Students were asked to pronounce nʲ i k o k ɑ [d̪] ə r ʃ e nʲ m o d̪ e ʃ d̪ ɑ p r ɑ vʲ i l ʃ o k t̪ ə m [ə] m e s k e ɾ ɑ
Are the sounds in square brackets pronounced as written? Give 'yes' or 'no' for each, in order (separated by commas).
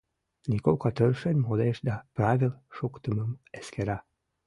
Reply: no, yes